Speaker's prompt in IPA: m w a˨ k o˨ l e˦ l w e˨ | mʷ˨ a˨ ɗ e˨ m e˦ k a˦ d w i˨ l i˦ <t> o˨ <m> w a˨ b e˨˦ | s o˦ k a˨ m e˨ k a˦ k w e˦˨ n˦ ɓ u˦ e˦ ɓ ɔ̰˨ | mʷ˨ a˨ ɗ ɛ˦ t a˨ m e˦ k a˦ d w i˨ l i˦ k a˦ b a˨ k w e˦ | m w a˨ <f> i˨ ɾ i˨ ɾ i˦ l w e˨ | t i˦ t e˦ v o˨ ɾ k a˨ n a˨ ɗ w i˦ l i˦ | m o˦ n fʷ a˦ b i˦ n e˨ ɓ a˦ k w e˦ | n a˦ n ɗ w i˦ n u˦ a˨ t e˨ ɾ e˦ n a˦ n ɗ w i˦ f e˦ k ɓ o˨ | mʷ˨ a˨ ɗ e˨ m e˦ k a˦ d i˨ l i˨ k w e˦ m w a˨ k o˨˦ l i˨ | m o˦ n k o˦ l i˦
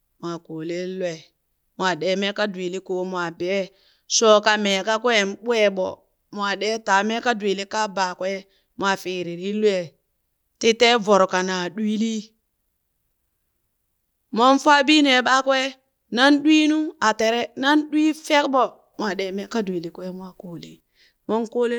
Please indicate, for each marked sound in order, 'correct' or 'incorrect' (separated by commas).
incorrect, correct, correct